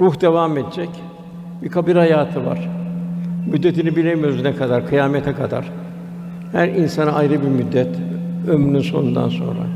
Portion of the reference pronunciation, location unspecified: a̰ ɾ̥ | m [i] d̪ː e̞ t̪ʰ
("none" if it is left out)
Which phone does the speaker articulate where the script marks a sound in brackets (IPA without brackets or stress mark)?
y